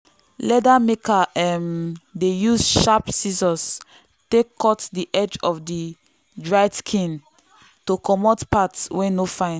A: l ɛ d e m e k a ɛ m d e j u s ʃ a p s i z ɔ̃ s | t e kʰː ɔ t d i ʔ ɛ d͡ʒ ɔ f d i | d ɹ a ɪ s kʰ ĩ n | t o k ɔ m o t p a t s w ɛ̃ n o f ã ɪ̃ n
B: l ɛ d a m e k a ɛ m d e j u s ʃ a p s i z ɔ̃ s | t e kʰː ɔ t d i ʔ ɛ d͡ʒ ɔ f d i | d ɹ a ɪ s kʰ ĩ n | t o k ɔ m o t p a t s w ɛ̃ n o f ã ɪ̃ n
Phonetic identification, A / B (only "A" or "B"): B